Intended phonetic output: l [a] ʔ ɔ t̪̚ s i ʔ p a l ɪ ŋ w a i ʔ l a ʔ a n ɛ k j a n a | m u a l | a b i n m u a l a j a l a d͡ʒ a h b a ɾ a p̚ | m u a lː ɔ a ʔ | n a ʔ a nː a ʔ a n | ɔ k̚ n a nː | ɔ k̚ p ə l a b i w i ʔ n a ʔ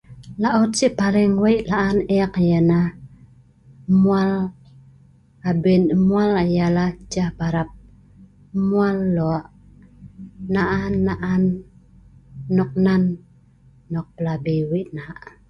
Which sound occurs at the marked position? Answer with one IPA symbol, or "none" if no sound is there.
a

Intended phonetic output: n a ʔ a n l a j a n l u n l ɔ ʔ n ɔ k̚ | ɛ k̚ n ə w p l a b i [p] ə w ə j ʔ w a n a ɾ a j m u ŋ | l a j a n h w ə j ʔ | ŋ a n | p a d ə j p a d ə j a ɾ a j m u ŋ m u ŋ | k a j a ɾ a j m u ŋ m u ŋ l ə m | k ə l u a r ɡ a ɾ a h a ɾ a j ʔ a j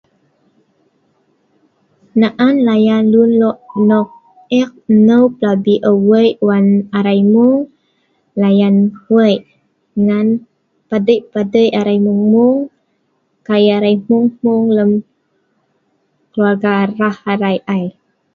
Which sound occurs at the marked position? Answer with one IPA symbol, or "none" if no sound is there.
ʔ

